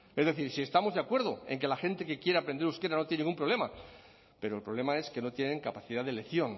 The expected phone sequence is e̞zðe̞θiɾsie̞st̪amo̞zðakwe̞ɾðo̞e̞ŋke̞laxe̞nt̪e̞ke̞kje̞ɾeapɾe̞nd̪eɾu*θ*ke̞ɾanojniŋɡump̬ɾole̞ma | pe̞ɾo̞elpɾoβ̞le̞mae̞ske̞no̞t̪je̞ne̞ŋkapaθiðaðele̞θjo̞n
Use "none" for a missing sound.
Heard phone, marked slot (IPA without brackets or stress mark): s